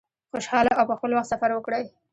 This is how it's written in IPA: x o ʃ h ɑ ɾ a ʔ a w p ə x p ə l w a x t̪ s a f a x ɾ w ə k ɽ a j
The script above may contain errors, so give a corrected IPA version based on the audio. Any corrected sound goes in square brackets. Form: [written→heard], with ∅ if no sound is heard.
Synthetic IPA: x o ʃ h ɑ [ɾ→l] a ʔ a w p ə x p ə l w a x t̪ s a f a [x→∅] ɾ w ə k ɽ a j